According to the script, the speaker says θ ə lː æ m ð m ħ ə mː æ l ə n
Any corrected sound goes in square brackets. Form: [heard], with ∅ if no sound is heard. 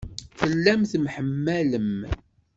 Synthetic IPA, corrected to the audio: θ ə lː æ m [θ] m ħ ə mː æ l ə [m]